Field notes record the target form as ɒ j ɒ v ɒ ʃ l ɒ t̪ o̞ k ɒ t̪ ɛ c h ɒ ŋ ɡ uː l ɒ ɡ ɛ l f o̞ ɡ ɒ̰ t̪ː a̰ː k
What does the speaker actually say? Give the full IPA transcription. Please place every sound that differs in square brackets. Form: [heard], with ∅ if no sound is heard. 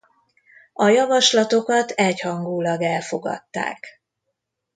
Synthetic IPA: ɒ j ɒ v ɒ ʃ l ɒ t̪ o̞ k ɒ t̪ ɛ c h ɒ ŋ ɡ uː l ɒ ɡ ɛ l f o̞ ɡ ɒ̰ t̪ː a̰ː k